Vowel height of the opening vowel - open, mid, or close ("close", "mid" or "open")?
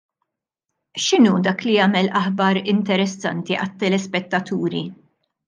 close